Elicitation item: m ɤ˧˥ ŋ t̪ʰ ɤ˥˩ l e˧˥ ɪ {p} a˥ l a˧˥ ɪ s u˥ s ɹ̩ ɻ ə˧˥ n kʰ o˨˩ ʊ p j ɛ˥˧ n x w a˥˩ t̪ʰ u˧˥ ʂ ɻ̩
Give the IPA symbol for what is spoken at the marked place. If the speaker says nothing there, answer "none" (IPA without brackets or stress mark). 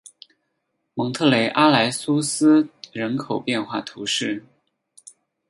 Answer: ʔ